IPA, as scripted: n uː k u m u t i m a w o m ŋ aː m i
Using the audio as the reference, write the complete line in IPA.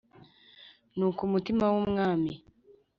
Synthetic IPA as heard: n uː k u m u t i m a w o m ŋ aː m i